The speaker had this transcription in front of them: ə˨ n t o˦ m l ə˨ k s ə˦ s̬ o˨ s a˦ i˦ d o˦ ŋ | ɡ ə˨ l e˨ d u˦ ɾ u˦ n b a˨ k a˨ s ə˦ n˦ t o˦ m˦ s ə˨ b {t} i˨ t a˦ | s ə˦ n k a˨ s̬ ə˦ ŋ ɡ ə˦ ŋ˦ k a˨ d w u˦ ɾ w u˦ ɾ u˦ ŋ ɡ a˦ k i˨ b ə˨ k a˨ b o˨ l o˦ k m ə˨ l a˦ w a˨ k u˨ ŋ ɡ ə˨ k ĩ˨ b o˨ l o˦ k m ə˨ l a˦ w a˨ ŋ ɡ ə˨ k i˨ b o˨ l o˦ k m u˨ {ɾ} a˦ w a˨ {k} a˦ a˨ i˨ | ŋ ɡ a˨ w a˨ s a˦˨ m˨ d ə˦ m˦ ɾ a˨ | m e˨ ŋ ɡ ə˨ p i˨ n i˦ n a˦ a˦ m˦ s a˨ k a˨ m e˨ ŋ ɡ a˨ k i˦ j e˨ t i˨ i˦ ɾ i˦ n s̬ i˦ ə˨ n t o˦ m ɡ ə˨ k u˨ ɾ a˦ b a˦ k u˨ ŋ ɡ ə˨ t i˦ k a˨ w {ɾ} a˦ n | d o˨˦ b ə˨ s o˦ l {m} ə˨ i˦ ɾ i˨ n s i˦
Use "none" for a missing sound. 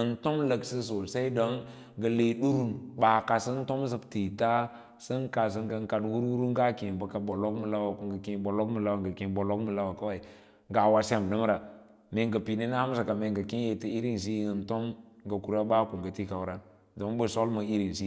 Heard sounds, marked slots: t, l, k, ɾ, m

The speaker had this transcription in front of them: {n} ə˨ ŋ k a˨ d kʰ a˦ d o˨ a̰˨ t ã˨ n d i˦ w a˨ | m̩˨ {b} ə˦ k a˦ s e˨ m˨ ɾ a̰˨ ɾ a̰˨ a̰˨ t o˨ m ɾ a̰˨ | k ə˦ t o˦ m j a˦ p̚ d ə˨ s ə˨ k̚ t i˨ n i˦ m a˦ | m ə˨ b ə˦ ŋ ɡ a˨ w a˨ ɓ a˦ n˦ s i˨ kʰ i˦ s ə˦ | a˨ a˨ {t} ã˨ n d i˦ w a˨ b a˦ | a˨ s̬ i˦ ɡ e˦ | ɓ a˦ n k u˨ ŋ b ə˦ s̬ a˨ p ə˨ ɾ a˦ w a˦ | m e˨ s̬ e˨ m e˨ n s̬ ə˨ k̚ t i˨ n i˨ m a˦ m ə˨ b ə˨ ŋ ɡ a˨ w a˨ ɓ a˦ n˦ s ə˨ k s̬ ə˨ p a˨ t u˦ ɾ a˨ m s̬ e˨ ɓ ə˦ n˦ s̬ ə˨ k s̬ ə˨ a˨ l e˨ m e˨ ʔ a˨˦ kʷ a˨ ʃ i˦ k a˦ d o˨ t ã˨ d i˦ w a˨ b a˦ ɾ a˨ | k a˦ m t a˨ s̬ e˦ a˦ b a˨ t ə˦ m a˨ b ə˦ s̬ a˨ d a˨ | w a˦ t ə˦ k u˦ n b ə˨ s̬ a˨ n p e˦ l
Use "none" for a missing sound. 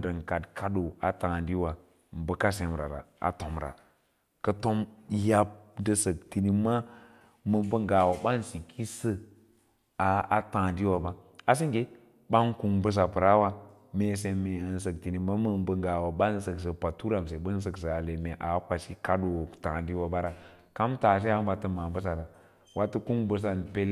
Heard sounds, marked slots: d, b, t

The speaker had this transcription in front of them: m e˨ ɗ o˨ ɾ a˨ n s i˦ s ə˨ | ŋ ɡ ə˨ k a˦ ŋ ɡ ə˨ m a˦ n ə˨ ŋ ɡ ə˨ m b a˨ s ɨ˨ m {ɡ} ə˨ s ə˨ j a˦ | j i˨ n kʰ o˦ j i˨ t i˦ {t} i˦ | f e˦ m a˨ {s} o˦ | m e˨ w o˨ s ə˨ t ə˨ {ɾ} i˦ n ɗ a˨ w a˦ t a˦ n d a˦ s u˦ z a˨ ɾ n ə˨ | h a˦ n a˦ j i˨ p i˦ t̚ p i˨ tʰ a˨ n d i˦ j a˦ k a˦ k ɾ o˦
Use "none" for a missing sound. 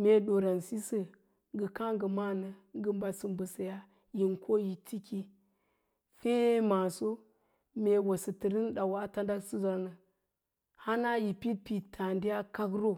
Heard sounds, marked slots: b, k, s, ɾ

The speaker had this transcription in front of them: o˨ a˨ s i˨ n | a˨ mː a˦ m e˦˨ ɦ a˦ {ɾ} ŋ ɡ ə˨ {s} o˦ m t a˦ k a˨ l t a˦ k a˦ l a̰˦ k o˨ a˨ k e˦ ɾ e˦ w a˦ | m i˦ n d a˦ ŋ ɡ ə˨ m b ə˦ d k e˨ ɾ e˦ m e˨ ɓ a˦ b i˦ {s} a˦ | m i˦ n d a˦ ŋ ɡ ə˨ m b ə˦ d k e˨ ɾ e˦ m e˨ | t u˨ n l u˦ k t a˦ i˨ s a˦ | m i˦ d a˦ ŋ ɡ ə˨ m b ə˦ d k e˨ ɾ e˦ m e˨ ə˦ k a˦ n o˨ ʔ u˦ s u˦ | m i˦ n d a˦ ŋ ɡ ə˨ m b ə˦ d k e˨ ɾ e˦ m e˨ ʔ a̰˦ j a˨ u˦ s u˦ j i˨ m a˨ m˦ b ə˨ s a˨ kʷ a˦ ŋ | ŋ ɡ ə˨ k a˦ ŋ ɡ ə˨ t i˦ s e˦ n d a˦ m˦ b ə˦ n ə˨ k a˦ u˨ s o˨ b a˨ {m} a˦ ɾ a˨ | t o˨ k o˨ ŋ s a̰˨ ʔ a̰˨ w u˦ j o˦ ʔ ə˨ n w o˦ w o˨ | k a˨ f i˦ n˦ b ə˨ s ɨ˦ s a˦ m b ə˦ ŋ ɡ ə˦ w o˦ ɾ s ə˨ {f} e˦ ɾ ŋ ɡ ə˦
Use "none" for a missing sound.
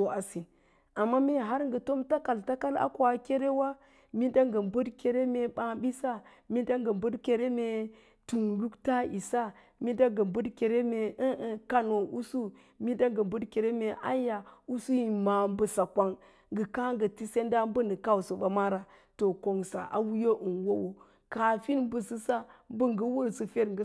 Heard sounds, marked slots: ɾ, t, s, m, f

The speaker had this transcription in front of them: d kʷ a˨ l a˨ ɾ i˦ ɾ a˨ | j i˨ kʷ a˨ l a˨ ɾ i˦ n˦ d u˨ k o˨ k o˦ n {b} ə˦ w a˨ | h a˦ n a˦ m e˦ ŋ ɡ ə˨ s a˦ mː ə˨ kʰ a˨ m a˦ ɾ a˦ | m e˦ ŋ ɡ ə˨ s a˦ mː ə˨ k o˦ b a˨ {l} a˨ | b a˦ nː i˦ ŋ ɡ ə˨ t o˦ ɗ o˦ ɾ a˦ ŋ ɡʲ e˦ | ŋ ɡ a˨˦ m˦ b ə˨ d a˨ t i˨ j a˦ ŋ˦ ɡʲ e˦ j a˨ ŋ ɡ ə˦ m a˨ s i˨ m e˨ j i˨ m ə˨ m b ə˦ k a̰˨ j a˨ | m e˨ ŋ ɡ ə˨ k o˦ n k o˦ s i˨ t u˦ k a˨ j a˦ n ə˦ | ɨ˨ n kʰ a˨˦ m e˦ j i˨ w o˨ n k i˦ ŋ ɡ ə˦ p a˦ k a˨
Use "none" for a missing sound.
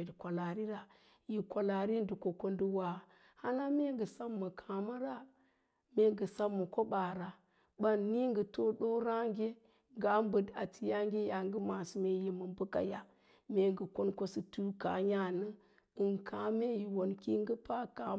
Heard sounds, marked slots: d, ɾ

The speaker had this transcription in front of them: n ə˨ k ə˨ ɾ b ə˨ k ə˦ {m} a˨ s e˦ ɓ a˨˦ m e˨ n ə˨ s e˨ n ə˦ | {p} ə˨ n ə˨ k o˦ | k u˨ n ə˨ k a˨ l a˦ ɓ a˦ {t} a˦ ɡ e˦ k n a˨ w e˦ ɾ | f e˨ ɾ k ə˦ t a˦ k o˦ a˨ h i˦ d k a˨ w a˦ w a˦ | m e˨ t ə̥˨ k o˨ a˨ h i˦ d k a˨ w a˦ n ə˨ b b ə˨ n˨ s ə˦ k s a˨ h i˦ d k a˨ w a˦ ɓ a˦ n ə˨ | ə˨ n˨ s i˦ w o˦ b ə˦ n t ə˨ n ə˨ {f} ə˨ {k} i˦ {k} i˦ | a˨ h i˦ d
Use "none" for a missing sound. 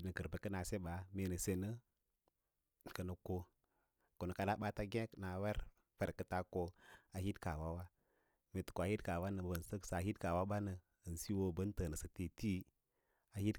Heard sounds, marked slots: n, k, t, s, t, t

